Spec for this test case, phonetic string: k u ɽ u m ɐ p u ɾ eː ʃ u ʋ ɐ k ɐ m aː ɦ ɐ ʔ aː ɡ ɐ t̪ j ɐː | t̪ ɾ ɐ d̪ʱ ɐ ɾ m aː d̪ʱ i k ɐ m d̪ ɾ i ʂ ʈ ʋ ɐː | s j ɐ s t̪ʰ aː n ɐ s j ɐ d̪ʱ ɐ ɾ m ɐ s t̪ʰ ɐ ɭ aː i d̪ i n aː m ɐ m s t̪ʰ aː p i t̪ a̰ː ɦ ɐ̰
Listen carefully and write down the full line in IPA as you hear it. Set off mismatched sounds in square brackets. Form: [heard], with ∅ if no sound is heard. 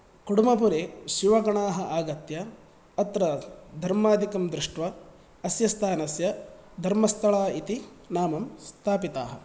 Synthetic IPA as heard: k u ɽ u m ɐ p u ɾ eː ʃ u ʋ ɐ [ɡ] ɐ [ɳ] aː ɦ ɐ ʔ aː ɡ ɐ t̪ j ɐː | t̪ ɾ ɐ d̪ʱ ɐ ɾ m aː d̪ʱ i k ɐ m d̪ ɾ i ʂ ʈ ʋ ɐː | s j ɐ s t̪ʰ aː n ɐ s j ɐ d̪ʱ ɐ ɾ m ɐ s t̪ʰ ɐ ɭ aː i [t̪] i n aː m ɐ m s t̪ʰ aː p i t̪ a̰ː ɦ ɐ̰